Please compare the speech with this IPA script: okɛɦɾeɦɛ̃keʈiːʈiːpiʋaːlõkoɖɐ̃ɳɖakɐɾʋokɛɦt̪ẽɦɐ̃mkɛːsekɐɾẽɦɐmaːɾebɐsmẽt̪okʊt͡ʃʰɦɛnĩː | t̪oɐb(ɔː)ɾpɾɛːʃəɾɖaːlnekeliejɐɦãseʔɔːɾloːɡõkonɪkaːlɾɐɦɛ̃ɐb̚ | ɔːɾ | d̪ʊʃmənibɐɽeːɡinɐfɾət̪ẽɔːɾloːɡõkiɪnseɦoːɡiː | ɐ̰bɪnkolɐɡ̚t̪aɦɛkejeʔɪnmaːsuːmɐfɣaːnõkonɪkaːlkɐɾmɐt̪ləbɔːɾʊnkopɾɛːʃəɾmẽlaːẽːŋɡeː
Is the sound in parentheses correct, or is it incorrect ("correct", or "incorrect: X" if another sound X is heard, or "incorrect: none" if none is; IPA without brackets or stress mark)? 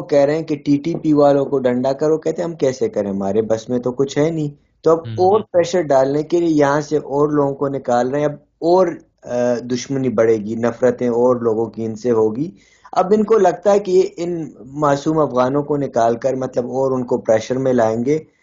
correct